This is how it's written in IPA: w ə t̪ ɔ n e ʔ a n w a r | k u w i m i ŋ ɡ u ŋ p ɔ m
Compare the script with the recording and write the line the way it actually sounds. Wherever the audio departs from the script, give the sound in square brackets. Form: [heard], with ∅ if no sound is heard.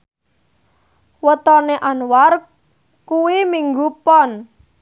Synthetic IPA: w ə t̪ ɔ n e ʔ a n w a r | k u w i m i ŋ ɡ u [∅] p ɔ [n]